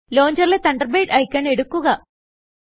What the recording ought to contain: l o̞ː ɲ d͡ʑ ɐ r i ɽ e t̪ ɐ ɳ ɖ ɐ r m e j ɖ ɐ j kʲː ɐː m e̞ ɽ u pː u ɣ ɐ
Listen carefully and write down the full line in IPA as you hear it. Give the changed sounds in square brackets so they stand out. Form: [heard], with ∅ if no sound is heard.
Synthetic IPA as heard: l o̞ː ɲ d͡ʑ ɐ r i [l] e t̪ ɐ ɳ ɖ ɐ r [b] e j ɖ ɐ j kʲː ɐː [ɳ] e̞ ɽ u [kː] u ɣ ɐ